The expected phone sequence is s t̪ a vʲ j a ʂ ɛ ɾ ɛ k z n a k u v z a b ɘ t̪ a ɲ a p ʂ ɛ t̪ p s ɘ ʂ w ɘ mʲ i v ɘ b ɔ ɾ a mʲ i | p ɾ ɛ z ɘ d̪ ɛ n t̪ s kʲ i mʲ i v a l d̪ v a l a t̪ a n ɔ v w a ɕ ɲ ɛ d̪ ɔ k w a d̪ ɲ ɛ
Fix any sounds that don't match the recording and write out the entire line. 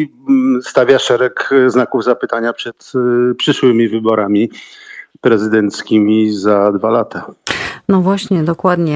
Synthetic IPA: s t̪ a vʲ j a ʂ ɛ ɾ ɛ k z n a k u v z a p ɘ t̪ a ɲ a p ʂ ɛ t̪ p ʂ ɘ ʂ w ɘ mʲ i v ɘ b ɔ ɾ a mʲ i | p ɾ ɛ z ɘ d̪ ɛ n t̪ s kʲ i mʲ i z a d̪ v a l a t̪ a n ɔ v w a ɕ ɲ ɛ d̪ ɔ k w a d̪ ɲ ɛ